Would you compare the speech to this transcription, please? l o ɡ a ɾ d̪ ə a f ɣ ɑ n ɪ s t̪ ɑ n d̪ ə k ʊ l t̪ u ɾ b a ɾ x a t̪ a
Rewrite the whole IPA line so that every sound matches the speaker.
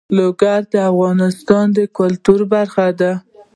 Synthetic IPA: l o ɡ a ɾ d̪ ə a f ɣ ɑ n ɪ s t̪ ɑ n d̪ ə k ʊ l t̪ u ɾ b a ɾ x a d̪ a